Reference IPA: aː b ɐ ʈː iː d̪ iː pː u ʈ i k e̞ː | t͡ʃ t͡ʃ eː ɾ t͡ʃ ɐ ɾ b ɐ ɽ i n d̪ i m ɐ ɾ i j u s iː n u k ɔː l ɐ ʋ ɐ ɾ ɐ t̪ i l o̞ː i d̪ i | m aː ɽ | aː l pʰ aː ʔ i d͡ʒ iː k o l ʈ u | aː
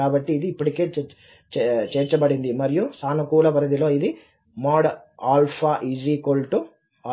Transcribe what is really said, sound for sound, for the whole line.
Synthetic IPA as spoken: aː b ɐ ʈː iː d̪ iː pː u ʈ i k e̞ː | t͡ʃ t͡ʃ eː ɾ t͡ʃ ɐ b ɐ ɽ i n d̪ i m ɐ ɾ i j u s aː n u k uː l ɐ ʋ ɐ ɾ ɐ d̪ i l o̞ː i d̪ i | m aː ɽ | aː l pʰ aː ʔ i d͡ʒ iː k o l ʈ u | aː